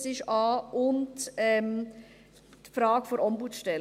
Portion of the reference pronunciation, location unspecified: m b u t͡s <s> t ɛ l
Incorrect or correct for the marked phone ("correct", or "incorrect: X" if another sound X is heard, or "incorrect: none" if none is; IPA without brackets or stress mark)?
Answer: incorrect: ʃ